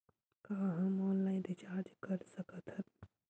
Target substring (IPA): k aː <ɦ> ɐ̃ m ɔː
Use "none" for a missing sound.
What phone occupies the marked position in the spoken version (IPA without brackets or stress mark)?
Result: ɦ